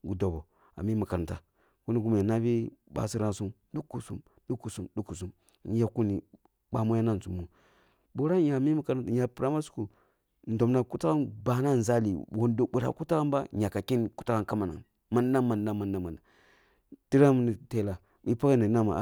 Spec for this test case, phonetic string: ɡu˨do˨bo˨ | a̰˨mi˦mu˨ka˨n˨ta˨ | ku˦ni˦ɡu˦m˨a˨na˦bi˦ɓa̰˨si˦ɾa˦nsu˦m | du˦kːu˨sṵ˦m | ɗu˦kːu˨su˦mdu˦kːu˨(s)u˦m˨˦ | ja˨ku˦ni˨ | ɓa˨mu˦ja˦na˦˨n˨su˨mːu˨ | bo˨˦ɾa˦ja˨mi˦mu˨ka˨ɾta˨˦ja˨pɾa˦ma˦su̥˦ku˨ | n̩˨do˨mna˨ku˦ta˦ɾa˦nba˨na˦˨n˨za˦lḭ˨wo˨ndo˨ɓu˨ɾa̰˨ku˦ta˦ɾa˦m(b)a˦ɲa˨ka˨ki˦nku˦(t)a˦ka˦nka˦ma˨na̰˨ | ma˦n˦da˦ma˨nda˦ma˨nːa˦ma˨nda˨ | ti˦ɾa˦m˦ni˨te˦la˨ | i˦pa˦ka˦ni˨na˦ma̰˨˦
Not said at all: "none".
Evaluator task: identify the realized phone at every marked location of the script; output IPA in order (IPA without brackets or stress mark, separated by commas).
s, b, t